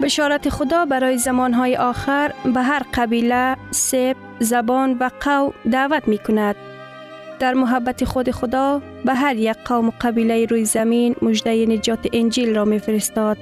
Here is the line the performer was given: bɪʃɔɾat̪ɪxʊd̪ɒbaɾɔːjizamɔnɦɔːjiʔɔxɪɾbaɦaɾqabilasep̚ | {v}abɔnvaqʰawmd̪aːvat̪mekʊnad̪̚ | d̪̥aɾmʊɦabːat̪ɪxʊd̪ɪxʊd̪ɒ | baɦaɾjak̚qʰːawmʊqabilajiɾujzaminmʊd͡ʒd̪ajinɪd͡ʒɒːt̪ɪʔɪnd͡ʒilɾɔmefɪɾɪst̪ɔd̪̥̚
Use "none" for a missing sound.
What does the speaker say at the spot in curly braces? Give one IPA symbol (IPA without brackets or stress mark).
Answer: z